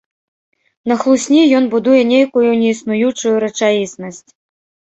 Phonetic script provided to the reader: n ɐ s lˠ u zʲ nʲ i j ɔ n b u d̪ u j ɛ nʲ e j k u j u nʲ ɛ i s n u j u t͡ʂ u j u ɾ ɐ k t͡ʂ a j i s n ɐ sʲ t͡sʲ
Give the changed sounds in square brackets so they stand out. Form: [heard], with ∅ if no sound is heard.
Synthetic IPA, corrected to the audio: n ɐ [x] lˠ u [sʲ] nʲ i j ɔ n b u d̪ u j ɛ nʲ e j k u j u nʲ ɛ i s n u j u t͡ʂ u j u ɾ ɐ [∅] t͡ʂ a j i s n ɐ sʲ t͡sʲ